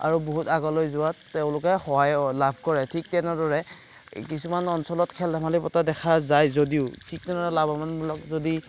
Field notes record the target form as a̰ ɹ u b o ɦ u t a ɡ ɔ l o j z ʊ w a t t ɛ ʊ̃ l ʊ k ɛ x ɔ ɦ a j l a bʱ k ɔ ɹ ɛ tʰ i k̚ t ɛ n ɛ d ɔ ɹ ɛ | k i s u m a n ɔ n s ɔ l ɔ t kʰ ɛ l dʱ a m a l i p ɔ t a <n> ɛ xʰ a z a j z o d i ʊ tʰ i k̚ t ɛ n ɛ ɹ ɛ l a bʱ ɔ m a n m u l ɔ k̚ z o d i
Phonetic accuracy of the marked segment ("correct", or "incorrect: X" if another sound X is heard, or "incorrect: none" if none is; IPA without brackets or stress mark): incorrect: d